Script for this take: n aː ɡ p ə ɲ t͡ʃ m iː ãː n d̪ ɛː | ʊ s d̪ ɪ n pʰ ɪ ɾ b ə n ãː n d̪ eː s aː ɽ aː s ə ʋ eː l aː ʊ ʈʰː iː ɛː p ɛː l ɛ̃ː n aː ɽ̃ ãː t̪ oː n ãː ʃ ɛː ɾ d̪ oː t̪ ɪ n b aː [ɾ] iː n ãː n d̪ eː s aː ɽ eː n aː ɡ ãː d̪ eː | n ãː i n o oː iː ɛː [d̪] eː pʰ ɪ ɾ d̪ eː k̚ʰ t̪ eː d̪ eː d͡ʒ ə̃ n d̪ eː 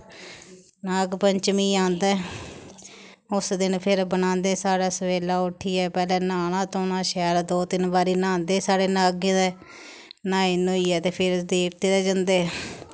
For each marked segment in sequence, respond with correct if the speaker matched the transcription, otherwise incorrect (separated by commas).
correct, incorrect